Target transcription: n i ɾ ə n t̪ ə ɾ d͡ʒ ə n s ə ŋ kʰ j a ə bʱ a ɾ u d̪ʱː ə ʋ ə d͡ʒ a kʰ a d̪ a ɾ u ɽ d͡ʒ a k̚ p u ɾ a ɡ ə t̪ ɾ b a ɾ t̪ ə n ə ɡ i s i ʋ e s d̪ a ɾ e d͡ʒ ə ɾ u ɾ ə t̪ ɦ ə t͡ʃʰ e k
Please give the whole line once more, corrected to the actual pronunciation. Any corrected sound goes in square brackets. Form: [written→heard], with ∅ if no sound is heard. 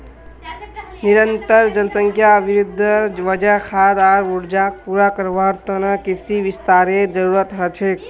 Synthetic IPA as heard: n i ɾ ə n t̪ ə ɾ d͡ʒ ə n s ə ŋ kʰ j a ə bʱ [a→i] ɾ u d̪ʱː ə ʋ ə d͡ʒ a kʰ a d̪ a ɾ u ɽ d͡ʒ a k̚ p u ɾ a [ɡ→k] ə [t̪→∅] ɾ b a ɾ t̪ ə n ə [ɡ→k] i s i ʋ [e→i] s [d̪→t̪] a ɾ e d͡ʒ ə ɾ u ɾ ə t̪ ɦ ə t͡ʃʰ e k